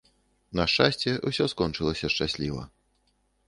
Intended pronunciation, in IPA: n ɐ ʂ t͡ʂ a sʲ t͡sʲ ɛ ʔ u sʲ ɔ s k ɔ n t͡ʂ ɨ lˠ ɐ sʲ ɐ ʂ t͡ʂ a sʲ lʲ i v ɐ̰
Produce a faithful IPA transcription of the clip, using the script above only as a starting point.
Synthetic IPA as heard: n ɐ ʂ t͡ʂ a sʲ t͡sʲ ɛ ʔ u sʲ ɔ s k ɔ n t͡ʂ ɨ lˠ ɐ sʲ ɐ ʂ t͡ʂ a sʲ lʲ i v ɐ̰